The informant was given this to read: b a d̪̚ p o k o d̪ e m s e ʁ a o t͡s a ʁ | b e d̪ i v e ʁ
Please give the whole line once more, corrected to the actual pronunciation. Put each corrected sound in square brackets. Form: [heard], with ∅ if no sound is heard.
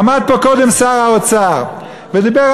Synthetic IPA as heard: [m] a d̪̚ p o k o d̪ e m s [a] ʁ a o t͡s a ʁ | [v] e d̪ i [b] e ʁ